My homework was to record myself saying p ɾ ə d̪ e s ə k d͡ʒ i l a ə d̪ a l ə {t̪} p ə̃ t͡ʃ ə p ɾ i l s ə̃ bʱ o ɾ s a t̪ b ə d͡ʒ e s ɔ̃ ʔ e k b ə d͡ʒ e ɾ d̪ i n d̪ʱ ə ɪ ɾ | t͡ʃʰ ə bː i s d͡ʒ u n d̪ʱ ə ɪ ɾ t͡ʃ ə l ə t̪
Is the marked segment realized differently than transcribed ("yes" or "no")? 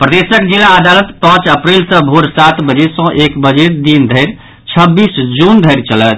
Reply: no